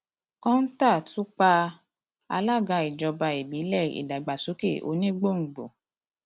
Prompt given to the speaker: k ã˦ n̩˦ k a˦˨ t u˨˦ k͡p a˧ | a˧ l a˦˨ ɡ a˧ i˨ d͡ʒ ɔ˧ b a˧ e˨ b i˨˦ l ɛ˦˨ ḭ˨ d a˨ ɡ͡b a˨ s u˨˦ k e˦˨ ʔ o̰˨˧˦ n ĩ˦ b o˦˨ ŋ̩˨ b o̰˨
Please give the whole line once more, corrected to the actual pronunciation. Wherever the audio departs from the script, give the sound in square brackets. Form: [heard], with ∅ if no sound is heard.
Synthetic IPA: k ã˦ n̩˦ [t] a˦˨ t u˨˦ k͡p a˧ | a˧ l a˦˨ ɡ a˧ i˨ d͡ʒ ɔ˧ b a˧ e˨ b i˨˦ l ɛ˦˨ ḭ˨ d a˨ ɡ͡b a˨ s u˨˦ k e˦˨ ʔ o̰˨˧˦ n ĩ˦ [ɡ͡b] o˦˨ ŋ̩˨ [ɡ͡b] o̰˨